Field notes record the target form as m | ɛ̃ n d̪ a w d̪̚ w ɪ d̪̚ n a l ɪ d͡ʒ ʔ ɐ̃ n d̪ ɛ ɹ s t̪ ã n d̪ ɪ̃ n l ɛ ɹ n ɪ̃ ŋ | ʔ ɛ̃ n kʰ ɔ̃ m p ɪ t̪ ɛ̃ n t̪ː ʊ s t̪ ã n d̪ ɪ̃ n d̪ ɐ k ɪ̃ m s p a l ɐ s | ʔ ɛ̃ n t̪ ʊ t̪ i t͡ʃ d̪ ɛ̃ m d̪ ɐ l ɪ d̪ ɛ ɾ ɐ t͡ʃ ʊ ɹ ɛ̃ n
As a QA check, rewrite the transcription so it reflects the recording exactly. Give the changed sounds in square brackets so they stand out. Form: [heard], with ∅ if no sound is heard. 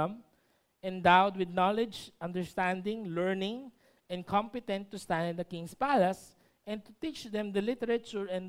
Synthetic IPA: m | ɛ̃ n d̪ a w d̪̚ w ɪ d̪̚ n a l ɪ d͡ʒ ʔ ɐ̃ n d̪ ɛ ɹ s t̪ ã n d̪ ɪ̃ [ŋ] l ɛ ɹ n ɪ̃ ŋ | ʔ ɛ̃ n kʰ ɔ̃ m p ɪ t̪ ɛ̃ n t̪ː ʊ s t̪ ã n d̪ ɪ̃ n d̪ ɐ k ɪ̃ [ŋ] s p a l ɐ s | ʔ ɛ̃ n t̪ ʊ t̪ i t͡ʃ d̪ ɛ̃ m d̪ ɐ l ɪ [t̪] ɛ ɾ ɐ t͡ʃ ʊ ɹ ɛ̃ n